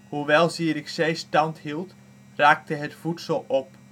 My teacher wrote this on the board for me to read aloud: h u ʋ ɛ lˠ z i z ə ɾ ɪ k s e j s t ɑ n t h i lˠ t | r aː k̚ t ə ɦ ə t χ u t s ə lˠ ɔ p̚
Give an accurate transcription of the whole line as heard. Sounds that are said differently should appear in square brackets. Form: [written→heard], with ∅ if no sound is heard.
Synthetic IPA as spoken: h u ʋ ɛ lˠ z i [z→∅] ə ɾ ɪ k s e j s t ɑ n t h i lˠ t | r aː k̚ t ə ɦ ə t [χ→f] u t s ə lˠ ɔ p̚